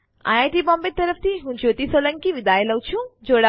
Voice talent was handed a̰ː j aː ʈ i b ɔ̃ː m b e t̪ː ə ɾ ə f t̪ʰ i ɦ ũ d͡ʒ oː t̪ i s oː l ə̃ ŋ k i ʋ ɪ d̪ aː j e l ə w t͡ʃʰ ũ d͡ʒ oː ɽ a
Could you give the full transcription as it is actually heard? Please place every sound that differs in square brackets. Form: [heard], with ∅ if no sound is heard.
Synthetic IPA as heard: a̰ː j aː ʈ i b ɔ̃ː m b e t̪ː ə ɾ ə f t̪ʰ i ɦ ũ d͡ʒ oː t̪ i s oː l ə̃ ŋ k i ʋ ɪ d̪ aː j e l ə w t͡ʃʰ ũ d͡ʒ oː ɽ a